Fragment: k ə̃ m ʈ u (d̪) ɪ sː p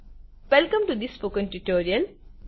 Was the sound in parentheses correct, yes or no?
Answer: yes